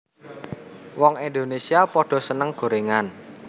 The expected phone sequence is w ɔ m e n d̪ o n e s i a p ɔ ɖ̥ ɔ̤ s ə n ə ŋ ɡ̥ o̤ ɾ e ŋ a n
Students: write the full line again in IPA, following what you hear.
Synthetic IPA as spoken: w ɔ ŋ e n d̪ o n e s i a p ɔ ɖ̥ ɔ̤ s ə n ə ŋ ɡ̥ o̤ ɾ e ŋ a n